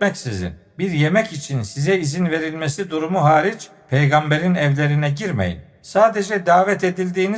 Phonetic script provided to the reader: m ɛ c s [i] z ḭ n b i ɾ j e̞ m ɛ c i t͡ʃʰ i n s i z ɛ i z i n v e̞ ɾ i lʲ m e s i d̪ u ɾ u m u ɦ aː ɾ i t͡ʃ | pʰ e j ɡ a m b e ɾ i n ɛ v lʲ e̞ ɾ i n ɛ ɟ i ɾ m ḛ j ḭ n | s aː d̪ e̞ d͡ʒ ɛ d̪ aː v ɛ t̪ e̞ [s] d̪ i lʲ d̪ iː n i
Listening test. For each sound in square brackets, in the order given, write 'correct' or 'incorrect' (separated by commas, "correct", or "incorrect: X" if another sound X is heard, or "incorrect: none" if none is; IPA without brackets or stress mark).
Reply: correct, incorrect: none